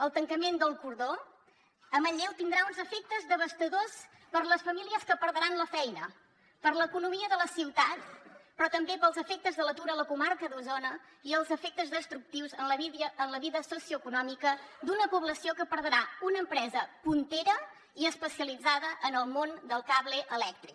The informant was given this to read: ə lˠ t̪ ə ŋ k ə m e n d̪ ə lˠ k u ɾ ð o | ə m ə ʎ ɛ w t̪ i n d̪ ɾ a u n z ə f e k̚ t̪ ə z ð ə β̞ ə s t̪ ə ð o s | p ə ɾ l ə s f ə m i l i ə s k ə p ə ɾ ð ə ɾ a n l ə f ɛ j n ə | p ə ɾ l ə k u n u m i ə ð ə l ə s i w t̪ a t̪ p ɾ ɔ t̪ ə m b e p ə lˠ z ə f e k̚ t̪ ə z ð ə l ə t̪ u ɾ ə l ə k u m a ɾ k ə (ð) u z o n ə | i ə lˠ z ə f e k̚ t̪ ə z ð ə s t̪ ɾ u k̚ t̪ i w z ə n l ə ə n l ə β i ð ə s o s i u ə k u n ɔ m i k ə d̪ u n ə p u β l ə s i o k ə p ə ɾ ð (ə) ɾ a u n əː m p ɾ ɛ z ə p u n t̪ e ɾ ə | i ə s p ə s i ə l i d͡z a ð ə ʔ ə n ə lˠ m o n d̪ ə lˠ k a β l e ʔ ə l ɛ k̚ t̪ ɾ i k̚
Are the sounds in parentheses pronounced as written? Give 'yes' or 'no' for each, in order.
yes, yes

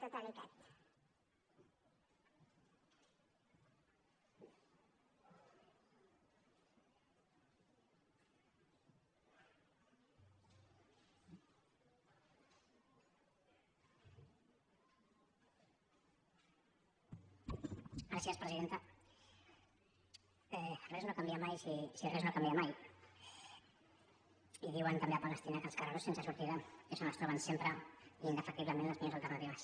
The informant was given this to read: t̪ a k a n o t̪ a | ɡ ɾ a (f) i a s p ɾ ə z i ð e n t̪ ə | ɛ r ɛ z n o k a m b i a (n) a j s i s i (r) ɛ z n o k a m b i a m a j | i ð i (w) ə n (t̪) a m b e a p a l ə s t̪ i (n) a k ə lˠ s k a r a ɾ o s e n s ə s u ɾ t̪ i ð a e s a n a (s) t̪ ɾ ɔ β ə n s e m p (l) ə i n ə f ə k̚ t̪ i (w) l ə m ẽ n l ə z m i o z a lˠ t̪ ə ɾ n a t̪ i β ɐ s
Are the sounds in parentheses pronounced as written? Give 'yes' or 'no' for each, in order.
no, no, yes, yes, yes, yes, yes, no, no

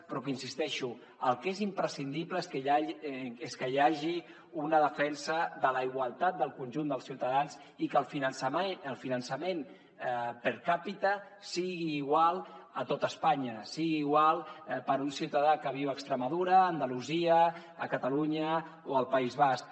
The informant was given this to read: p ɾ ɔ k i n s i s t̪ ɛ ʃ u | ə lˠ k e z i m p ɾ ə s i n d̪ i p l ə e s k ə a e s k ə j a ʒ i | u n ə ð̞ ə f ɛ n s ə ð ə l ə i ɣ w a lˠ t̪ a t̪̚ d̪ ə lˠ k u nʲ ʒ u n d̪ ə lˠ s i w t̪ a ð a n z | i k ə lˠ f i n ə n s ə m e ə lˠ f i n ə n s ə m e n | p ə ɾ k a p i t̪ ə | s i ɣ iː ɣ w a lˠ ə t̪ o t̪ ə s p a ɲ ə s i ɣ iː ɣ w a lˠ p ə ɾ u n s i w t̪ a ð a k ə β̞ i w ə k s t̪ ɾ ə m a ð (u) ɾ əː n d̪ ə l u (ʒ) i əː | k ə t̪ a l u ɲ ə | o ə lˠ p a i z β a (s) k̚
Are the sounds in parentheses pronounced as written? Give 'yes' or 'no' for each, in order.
yes, no, yes

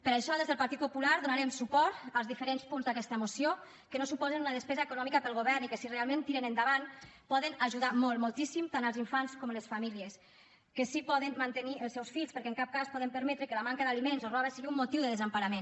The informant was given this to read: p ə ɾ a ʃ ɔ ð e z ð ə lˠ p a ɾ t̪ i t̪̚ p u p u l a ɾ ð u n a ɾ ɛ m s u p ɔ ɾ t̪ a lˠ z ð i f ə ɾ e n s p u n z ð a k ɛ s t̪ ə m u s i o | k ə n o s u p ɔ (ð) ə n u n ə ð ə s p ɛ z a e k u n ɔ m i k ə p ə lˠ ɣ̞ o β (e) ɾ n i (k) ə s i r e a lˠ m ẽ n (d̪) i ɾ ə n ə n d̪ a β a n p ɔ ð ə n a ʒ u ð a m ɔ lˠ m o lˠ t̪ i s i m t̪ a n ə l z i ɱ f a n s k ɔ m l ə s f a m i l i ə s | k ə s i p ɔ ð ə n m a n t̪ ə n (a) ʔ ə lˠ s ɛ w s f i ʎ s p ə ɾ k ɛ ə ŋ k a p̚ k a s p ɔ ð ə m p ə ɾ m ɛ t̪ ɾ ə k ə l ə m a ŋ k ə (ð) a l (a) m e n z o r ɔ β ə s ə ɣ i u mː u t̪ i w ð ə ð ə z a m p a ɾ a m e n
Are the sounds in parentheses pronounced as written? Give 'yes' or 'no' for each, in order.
no, no, yes, no, no, yes, no

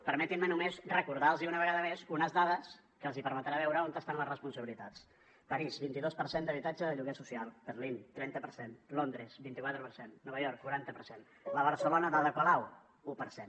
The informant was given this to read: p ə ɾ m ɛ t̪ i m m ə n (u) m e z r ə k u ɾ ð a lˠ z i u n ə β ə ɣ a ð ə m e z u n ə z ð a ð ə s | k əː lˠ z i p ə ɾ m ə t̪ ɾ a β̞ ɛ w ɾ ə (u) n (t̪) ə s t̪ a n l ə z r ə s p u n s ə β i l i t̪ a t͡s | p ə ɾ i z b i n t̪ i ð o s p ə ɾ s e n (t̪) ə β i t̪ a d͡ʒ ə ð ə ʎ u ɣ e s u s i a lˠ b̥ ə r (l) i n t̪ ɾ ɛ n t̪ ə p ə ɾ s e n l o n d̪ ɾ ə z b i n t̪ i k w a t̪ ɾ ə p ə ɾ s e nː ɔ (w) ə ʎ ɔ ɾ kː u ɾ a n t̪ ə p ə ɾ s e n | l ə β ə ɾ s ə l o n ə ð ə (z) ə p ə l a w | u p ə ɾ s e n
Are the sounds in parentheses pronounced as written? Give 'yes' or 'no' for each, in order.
yes, no, yes, no, yes, no, no

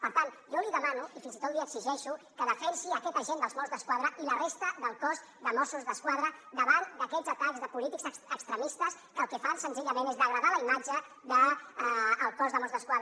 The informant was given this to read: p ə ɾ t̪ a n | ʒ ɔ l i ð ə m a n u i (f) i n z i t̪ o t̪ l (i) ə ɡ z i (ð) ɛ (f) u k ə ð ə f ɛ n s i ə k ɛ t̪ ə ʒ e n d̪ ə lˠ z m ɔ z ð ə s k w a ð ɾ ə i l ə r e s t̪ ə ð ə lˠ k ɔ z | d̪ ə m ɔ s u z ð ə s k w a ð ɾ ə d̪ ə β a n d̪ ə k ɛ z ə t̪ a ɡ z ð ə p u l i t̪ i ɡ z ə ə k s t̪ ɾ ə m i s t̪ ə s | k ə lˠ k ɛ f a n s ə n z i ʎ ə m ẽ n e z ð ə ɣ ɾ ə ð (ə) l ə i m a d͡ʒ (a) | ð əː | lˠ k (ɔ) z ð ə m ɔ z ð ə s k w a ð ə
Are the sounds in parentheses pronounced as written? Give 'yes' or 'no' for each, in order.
yes, yes, no, no, no, no, yes

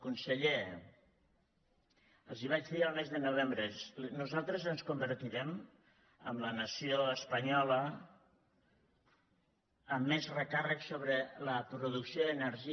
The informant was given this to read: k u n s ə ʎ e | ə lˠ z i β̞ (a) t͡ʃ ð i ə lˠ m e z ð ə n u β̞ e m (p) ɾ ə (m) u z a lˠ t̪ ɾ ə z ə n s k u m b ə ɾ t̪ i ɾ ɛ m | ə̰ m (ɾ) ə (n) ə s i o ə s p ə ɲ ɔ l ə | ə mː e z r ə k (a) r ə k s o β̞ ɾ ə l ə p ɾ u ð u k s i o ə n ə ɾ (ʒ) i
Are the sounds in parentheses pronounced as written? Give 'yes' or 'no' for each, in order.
yes, no, no, no, yes, yes, yes

